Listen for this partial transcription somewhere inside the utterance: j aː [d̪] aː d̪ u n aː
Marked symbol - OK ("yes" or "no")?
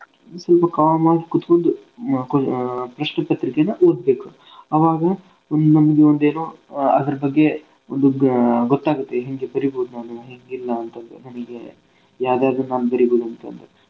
yes